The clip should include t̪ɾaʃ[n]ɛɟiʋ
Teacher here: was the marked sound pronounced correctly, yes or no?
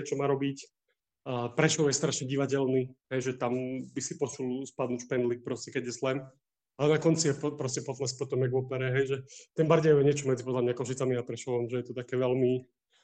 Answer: no